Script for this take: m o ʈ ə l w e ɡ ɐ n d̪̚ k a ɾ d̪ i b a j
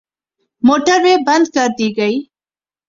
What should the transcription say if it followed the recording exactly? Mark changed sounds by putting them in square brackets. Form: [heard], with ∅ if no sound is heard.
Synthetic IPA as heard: m o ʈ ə [ɾ] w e [b] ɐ n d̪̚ k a ɾ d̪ i [ɡ] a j